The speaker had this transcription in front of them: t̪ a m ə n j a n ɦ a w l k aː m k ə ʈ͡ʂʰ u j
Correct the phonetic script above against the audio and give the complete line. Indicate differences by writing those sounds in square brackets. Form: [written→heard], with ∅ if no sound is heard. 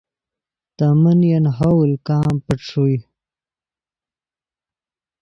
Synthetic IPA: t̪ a m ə n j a n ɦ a w l k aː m [k→p] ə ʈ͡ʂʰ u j